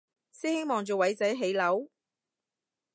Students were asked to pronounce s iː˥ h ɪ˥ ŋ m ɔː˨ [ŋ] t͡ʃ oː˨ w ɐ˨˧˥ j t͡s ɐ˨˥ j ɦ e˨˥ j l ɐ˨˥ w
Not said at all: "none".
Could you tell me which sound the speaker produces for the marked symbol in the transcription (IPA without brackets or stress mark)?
ŋ